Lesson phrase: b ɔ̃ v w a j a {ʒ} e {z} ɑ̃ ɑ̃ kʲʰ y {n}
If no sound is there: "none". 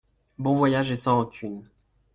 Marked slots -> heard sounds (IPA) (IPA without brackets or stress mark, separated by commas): ʒ, s, n